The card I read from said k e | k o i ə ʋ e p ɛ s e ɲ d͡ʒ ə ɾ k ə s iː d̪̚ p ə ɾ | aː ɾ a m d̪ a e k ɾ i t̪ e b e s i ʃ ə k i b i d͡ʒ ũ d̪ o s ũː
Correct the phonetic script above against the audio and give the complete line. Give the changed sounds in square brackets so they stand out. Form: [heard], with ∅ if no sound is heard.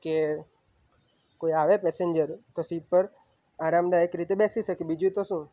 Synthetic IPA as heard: k e | k o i [a] ʋ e p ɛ s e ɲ d͡ʒ ə ɾ k ə s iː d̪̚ p ə ɾ | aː ɾ a m d̪ a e k ɾ i t̪ e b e s i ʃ ə k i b i d͡ʒ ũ [t̪] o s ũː